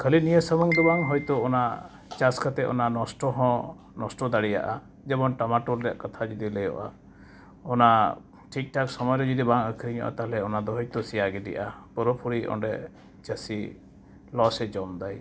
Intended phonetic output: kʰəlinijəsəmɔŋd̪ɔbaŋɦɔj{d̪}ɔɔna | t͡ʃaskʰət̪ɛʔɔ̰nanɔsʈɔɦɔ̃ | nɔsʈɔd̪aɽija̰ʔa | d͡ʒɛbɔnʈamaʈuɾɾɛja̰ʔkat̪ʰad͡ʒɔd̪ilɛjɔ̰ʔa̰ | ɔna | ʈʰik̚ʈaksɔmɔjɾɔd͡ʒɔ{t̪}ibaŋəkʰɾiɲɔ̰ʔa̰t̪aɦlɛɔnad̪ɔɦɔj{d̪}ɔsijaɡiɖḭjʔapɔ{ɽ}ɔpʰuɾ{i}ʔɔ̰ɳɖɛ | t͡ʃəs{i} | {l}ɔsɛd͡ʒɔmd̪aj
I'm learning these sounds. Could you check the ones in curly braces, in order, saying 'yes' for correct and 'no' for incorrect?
no, no, no, no, yes, yes, yes

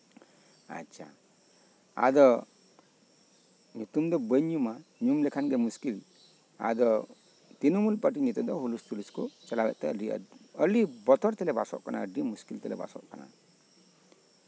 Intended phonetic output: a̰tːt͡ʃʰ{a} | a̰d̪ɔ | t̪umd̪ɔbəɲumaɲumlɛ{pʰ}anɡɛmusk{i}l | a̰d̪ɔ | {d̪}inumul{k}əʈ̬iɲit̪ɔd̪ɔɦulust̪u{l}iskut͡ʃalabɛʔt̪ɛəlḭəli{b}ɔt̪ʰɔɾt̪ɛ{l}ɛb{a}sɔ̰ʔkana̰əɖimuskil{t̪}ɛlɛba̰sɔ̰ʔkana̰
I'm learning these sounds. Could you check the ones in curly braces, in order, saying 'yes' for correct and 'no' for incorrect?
yes, no, yes, no, no, yes, yes, yes, yes, yes

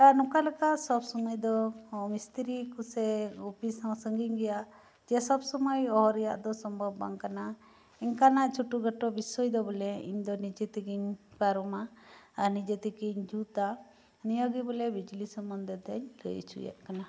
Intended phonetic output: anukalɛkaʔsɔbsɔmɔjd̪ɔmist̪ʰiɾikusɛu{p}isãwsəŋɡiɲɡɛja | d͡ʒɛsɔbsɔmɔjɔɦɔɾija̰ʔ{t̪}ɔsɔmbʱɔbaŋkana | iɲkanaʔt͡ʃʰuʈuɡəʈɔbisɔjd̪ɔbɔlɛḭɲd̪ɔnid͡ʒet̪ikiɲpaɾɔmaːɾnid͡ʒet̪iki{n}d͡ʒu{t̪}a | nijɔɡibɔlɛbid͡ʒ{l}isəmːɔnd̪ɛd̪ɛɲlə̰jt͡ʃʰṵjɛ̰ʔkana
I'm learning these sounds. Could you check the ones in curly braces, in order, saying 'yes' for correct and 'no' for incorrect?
yes, no, no, yes, yes

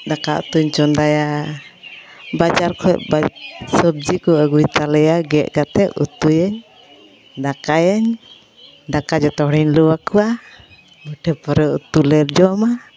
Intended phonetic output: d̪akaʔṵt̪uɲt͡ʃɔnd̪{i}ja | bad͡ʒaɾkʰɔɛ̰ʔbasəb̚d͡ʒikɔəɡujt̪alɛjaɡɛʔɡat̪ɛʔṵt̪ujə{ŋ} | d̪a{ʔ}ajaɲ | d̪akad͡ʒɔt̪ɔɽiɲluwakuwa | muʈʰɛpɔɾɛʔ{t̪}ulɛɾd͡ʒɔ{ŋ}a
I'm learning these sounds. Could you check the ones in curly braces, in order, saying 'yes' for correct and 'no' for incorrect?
no, no, no, yes, no

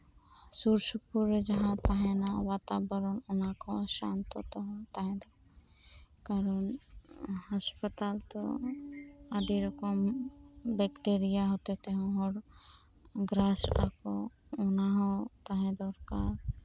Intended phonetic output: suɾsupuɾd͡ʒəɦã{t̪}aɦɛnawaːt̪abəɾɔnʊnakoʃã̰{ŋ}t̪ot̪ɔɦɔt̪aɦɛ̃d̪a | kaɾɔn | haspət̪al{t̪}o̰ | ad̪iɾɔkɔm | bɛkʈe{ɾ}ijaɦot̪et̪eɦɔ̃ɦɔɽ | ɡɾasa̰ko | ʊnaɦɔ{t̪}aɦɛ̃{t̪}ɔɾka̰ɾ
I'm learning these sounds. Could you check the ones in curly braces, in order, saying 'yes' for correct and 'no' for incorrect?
yes, no, yes, yes, yes, no

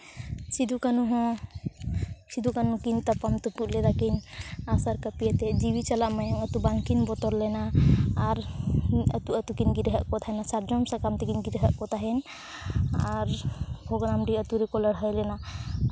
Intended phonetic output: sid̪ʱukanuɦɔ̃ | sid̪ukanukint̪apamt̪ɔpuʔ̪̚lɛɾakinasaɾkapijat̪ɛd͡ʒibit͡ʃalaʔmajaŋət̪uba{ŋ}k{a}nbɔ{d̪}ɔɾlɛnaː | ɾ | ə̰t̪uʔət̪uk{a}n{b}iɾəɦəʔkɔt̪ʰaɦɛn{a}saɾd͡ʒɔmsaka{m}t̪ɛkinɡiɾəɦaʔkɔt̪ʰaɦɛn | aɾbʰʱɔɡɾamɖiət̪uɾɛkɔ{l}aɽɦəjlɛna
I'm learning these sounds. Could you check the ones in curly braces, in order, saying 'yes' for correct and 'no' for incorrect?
yes, no, no, no, no, yes, yes, yes

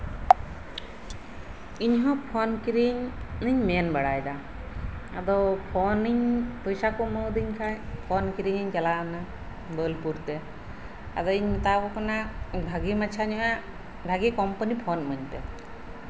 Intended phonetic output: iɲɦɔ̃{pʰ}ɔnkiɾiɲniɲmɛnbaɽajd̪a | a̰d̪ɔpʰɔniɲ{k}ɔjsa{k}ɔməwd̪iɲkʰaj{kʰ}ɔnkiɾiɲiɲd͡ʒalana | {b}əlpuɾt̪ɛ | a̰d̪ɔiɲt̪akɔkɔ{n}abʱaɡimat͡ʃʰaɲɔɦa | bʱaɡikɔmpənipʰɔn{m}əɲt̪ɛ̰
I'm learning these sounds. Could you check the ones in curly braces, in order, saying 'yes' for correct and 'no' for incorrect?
yes, no, yes, no, yes, yes, yes

